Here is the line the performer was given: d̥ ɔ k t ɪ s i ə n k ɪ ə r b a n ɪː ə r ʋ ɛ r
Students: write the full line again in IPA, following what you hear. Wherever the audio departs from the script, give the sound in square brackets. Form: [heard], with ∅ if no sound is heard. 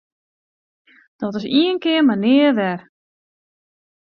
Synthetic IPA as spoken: d̥ ɔ [∅] t ɪ s i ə n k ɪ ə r [m] a n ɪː ə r ʋ ɛ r